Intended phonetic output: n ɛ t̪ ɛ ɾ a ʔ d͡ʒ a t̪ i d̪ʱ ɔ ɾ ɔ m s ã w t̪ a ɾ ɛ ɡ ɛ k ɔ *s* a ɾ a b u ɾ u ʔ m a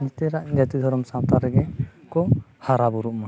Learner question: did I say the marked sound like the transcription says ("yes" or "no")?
no